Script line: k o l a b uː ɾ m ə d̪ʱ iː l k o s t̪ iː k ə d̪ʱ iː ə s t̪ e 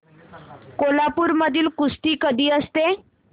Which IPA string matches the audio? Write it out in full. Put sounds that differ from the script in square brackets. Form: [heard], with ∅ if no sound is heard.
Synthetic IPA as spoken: k o l a [p] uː ɾ m ə d̪ʱ iː l k [u] s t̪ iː k ə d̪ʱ iː ə s t̪ e

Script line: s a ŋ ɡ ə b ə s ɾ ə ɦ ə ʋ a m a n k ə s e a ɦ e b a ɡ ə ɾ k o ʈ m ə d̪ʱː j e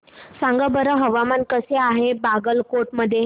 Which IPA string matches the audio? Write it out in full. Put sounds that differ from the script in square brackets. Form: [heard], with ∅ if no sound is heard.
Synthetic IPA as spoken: s a ŋ ɡ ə b ə [∅] ɾ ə ɦ ə ʋ a m a n k ə s e a ɦ e b a ɡ ə [l] k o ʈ m ə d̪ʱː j e

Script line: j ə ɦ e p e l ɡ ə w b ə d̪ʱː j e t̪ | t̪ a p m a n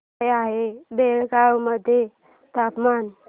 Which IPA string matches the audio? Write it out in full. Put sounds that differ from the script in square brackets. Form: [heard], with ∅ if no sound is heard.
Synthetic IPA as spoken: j [a] ɦ e [b] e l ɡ [a] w [m] ə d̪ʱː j e [∅] | t̪ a p m a n

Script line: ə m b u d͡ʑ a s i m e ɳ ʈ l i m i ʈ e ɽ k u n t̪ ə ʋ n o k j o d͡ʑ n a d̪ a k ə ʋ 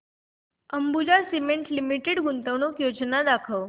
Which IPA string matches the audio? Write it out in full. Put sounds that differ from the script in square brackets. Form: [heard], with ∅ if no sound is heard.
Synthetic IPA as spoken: ə m b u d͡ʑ a s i m e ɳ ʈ l i m i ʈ e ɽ [ɡ] u n t̪ ə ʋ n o k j o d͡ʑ n a d̪ a [kʰ] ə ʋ

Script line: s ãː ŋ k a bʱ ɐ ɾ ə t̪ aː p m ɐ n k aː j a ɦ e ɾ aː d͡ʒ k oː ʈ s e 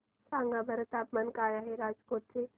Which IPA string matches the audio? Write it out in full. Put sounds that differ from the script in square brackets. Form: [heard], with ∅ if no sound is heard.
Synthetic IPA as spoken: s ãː ŋ [ɡ] a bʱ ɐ ɾ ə t̪ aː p m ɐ n k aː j a ɦ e ɾ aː d͡ʒ k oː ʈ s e

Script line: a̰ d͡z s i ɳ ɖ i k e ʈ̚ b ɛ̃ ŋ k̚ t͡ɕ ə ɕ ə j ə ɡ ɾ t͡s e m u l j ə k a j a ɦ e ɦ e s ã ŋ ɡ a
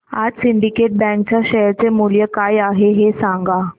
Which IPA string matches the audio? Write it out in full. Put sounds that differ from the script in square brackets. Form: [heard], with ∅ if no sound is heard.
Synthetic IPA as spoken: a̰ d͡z s i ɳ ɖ i k e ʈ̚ b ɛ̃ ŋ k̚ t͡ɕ [a] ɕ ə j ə [∅] ɾ t͡s e m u l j ə k a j a ɦ e ɦ e s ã ŋ ɡ a

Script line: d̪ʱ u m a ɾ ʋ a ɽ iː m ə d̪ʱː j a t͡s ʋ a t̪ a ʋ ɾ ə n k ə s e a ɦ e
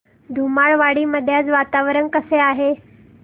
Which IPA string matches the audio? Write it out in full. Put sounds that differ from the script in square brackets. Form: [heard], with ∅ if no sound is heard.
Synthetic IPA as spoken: d̪ʱ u m a [ɭ] ʋ a ɽ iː m ə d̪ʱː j a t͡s ʋ a t̪ a ʋ ɾ ə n k ə s e a ɦ e

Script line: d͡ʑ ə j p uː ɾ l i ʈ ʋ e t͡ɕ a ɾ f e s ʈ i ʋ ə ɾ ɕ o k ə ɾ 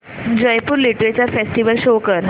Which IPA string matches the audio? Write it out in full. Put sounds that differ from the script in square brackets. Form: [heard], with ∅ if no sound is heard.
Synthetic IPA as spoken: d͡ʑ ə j p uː ɾ l i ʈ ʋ e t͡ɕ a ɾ f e s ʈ i ʋ ə [l] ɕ o k ə ɾ

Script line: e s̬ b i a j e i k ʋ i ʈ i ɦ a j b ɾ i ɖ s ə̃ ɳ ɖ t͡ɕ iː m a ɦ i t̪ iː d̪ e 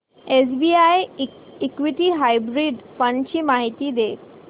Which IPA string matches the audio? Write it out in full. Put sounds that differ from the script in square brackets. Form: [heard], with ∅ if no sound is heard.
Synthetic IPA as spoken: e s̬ b i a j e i k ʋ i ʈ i ɦ a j b ɾ i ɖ [f] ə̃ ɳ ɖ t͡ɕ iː m a ɦ i t̪ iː d̪ e

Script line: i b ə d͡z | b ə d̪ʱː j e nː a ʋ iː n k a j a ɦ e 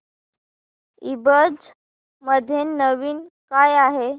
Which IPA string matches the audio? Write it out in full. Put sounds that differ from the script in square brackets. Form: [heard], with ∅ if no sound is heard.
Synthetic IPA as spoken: i b ə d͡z | [m] ə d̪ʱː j e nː [ə] ʋ iː n k a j a ɦ e

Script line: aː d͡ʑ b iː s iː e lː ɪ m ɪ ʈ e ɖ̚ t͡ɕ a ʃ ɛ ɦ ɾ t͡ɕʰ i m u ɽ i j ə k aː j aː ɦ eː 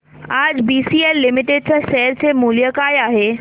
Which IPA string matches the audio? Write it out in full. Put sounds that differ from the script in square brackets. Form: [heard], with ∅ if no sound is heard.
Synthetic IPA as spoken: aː d͡ʑ b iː s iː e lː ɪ m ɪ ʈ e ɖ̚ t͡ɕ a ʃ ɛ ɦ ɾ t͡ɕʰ [e] m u [l] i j ə k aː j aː ɦ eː

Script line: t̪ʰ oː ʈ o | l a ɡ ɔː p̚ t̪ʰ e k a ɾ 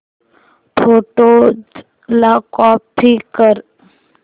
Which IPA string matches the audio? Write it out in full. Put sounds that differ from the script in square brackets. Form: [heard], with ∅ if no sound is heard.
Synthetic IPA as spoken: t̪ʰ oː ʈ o | l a [k] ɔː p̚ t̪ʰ [i] k [ə] ɾ

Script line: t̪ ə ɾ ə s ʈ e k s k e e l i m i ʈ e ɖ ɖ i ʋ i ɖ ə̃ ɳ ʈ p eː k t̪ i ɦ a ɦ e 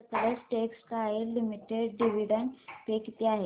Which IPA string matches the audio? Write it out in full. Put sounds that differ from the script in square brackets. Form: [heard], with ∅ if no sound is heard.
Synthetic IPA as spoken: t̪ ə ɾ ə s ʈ e k s k [a] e l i m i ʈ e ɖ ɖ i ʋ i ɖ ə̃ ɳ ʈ p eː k t̪ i [∅] a ɦ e

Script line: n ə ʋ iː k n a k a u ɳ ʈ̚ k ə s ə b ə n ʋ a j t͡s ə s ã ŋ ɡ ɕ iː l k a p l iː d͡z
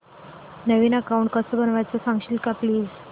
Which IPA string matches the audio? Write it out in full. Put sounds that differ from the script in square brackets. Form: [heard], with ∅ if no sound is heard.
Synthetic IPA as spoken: n ə ʋ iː [∅] n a k a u ɳ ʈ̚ k ə s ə b ə n ʋ a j t͡s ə s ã ŋ ɡ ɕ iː l k a p l iː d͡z

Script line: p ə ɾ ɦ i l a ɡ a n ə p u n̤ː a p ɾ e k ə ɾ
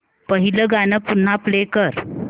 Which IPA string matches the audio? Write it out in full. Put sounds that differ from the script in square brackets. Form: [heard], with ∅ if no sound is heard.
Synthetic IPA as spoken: p ə [∅] ɦ i l [ə] ɡ a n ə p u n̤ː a p [l] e k ə ɾ

